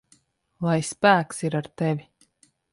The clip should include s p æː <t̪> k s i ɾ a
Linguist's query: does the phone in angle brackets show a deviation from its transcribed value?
yes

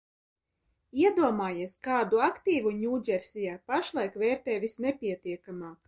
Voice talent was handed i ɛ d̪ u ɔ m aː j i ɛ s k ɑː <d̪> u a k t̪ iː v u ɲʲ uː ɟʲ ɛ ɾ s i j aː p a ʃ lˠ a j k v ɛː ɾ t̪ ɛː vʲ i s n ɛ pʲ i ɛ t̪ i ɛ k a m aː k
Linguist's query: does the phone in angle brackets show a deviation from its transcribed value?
no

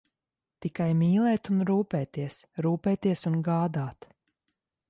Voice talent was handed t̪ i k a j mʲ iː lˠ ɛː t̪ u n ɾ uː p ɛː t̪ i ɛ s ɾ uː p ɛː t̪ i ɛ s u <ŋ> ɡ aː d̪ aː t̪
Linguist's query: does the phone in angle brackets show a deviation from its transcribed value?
yes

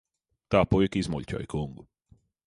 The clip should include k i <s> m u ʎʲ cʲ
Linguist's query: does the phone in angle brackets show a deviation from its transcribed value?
yes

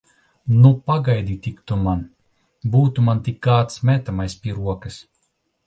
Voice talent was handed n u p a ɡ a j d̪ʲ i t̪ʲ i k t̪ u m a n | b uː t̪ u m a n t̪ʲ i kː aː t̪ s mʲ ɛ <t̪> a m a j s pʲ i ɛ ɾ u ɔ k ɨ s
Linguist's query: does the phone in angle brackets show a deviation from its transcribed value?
no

